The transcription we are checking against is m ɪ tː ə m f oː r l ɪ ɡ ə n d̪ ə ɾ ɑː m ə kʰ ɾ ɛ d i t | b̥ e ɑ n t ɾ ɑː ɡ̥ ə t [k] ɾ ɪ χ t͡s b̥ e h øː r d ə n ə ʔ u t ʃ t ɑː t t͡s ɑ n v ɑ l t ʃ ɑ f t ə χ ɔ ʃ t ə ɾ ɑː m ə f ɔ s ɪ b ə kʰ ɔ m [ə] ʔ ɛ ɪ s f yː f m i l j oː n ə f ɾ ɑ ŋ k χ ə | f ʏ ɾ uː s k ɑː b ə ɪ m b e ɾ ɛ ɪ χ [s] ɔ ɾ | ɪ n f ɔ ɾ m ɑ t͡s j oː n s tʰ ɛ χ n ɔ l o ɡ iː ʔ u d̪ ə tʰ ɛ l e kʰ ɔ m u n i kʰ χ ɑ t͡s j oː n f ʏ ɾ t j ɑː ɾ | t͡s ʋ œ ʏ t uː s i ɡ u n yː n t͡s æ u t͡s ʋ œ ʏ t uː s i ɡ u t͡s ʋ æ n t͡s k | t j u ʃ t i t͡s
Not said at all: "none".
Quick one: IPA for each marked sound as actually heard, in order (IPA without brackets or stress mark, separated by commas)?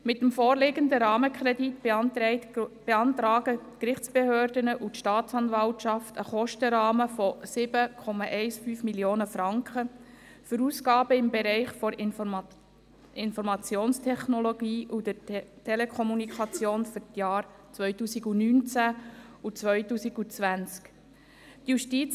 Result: k, ɑ, f